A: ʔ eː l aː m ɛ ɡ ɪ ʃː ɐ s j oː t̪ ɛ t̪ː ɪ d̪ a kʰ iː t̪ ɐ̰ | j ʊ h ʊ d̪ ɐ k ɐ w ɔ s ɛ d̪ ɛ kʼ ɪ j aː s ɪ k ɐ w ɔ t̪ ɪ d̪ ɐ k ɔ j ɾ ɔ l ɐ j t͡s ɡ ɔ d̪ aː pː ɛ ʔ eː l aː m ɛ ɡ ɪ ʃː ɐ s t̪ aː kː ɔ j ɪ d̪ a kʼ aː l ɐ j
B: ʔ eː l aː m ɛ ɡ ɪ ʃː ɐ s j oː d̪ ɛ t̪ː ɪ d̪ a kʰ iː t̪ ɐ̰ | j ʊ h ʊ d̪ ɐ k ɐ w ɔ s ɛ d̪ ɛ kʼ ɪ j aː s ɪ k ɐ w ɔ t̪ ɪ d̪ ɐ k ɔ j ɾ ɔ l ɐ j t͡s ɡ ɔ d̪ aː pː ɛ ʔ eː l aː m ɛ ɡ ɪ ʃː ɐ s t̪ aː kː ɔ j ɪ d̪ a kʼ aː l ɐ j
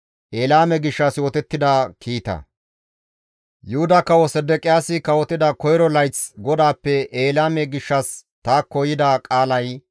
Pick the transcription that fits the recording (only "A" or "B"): A